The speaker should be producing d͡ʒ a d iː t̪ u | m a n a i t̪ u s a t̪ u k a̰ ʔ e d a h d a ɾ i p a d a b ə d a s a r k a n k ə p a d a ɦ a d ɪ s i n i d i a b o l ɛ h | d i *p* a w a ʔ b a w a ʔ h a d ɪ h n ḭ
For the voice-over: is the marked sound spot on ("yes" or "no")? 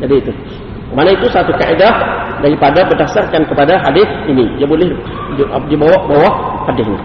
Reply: no